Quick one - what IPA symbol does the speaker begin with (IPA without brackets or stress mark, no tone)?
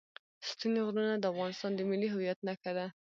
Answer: s